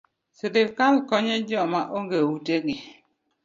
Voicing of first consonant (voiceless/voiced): voiceless